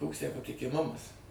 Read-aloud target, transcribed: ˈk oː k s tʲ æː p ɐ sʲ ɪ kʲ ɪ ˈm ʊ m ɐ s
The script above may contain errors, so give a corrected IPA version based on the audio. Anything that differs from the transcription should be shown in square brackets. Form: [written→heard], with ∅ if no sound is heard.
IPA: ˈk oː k s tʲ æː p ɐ [sʲ→tʲ] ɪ kʲ ɪ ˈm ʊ m ɐ s